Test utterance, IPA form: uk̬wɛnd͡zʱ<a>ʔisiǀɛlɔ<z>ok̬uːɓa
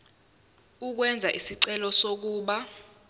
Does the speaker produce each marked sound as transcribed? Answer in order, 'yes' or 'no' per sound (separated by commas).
yes, no